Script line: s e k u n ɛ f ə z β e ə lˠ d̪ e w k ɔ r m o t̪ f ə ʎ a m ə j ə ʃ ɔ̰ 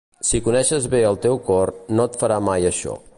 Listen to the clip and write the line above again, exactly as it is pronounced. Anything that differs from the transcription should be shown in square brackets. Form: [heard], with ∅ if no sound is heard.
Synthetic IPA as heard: s [i] k u n ɛ [ʃ] ə z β e ə lˠ [t̪] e w k ɔ r [n] o t̪ f ə [ɾ] a m [a] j ə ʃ ɔ̰